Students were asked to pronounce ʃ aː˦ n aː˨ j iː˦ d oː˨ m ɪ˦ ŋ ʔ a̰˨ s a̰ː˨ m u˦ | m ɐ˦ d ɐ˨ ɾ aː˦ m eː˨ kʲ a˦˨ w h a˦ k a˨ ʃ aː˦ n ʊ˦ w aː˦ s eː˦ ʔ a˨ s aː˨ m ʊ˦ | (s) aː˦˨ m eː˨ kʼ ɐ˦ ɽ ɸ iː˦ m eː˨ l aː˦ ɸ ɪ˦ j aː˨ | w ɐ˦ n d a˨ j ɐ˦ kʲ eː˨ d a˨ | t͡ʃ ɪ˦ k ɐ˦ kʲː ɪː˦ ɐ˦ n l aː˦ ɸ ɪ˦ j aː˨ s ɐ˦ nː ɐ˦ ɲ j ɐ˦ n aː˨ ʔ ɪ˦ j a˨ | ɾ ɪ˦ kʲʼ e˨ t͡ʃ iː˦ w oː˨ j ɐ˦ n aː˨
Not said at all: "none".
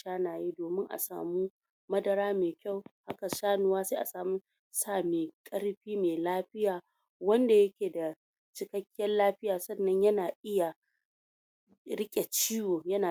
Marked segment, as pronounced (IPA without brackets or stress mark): s